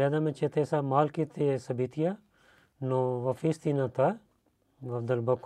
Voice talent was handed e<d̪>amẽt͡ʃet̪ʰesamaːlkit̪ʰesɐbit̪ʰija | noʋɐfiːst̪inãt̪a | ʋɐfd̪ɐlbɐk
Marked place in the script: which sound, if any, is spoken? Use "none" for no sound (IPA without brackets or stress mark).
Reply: d̪